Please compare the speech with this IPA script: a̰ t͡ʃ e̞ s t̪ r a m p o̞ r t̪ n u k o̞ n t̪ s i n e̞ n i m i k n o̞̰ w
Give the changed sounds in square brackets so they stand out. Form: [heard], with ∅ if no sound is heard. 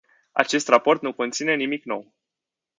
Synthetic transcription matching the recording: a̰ t͡ʃ e̞ s t̪ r a [∅] p o̞ r t̪ n u k o̞ n t̪ s i n e̞ n i m i k n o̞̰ w